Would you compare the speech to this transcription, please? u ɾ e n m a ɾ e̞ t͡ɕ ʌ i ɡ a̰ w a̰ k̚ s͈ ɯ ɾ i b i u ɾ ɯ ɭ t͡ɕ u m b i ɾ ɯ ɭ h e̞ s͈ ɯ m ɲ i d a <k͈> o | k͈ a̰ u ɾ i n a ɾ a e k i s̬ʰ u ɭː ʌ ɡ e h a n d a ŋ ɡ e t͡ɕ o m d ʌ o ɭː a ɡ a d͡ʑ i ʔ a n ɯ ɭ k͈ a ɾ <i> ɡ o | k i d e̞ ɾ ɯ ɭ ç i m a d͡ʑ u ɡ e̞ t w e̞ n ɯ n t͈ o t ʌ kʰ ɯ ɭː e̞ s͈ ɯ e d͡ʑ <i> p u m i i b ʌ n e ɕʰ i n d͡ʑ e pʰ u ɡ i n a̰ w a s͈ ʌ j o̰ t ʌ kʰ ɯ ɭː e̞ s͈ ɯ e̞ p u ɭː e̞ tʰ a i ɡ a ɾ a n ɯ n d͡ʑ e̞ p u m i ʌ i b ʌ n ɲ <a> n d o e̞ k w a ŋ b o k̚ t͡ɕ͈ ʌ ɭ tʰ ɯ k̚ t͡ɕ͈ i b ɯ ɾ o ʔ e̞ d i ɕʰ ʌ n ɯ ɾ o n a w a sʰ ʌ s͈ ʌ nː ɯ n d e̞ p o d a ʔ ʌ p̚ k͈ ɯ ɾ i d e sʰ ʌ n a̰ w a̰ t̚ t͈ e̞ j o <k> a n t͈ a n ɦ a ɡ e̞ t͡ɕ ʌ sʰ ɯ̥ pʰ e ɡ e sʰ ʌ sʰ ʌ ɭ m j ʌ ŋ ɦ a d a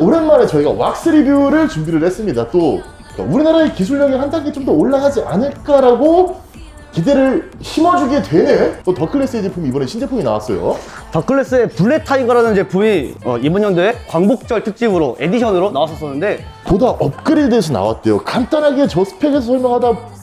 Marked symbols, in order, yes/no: no, no, no, no, yes

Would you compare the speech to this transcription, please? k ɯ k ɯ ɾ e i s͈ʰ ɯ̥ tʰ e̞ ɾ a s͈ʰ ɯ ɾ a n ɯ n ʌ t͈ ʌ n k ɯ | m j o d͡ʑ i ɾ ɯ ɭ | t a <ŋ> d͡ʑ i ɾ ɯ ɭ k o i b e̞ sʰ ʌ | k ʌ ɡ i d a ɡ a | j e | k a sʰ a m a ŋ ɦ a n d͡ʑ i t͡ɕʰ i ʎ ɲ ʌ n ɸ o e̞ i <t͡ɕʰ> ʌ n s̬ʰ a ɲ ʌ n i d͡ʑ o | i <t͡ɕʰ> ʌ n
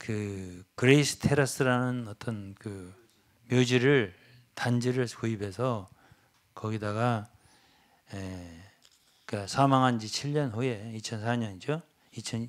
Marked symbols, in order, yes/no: no, yes, yes

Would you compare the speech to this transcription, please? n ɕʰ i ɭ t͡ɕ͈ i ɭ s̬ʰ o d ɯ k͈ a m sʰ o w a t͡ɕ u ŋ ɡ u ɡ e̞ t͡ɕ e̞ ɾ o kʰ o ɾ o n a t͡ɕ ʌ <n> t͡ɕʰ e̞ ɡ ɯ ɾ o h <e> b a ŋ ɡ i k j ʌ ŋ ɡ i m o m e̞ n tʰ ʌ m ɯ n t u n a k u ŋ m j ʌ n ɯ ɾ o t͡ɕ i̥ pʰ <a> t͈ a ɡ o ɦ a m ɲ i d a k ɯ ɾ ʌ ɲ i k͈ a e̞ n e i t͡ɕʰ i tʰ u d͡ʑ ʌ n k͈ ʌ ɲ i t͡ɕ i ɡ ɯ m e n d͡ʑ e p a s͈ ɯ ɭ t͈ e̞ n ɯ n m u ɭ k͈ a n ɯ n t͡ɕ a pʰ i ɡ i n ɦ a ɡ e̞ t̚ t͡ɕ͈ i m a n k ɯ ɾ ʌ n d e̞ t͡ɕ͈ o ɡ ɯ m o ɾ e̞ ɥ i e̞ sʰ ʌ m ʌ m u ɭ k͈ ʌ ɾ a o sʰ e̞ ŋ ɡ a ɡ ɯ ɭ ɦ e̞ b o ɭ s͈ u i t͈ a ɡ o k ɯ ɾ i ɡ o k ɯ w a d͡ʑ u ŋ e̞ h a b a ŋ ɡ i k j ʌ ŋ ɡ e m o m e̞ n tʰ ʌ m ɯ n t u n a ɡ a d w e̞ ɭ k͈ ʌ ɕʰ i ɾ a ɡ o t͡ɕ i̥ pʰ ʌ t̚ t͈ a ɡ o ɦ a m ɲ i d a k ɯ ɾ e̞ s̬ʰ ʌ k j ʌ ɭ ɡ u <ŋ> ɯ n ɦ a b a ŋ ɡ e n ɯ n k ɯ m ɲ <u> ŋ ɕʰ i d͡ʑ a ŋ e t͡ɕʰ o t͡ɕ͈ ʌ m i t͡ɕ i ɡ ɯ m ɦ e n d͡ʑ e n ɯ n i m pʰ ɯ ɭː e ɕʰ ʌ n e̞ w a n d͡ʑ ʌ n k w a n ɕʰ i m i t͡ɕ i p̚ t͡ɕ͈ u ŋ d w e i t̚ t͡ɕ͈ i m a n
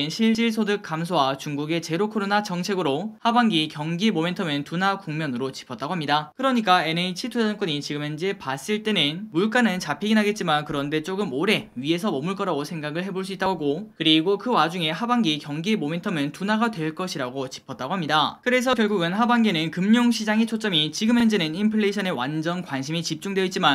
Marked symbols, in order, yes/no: no, no, no, no, no

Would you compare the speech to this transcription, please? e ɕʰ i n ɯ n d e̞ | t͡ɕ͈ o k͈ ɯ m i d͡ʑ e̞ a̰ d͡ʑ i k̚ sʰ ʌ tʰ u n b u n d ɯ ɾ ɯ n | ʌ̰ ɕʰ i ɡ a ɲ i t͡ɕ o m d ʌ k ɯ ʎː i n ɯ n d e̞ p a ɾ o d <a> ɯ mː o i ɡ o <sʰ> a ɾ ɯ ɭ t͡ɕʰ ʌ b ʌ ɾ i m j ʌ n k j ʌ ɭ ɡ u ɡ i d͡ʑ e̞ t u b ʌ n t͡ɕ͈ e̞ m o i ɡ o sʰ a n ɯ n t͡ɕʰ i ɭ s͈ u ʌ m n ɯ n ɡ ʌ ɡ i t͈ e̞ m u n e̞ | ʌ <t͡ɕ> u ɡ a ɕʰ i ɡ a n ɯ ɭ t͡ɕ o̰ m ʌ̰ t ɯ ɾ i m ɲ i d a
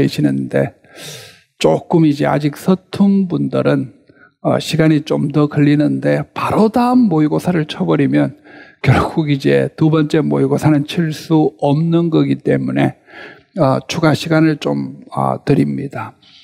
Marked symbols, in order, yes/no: yes, yes, no

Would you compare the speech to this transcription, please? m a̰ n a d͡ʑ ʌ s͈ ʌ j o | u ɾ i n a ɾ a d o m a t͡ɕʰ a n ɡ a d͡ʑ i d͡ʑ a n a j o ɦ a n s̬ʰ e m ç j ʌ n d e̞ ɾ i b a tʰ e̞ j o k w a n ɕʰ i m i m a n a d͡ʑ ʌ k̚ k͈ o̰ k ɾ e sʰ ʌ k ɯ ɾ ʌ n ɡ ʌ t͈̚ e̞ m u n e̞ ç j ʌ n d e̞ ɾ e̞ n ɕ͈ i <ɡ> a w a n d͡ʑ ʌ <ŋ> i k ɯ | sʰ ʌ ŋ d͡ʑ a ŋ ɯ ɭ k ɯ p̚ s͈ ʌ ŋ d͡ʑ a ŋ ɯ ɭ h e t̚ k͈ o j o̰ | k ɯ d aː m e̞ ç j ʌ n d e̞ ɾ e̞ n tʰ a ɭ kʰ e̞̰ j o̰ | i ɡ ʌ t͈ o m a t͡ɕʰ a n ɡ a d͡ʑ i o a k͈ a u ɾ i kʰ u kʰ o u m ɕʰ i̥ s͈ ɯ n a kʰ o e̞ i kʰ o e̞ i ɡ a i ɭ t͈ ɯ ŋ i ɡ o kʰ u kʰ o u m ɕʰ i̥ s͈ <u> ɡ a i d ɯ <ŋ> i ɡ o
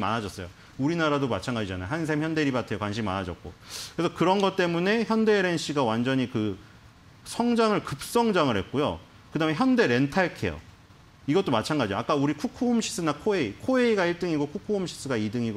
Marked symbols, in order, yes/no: yes, no, no, yes

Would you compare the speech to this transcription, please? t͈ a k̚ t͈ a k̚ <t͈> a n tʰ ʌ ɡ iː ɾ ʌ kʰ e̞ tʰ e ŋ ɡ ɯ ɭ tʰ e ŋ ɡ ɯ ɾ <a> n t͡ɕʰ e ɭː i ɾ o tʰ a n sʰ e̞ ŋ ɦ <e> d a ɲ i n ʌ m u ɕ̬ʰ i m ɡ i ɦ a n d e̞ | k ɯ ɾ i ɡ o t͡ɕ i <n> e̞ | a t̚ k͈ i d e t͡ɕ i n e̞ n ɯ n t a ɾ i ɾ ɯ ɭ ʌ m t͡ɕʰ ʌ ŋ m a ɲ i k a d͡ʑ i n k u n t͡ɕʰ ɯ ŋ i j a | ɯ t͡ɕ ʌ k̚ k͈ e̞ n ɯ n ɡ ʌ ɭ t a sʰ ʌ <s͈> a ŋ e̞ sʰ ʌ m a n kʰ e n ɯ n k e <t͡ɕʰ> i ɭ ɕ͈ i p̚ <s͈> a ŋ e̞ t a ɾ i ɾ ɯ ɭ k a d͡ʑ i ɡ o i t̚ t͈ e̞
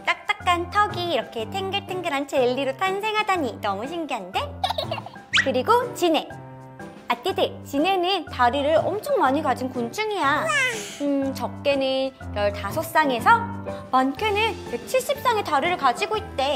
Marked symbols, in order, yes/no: no, yes, no, yes, yes, yes, yes

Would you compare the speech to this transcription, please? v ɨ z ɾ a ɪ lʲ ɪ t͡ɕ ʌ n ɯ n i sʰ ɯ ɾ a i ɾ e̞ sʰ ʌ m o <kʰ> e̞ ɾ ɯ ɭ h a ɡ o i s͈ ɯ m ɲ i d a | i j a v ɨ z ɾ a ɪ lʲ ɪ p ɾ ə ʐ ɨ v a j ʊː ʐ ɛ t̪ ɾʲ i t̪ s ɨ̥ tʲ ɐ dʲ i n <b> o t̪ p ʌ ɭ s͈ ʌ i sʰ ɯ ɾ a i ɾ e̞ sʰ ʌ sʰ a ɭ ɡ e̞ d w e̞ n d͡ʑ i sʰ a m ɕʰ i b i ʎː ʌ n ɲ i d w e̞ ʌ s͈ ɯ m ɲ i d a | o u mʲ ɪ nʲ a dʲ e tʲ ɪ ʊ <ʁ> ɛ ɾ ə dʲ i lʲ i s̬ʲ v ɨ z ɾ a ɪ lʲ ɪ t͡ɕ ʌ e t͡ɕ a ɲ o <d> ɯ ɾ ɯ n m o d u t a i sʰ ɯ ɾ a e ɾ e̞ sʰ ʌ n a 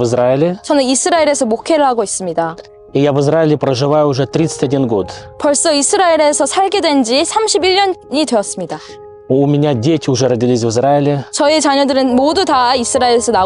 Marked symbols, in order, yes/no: yes, no, no, yes

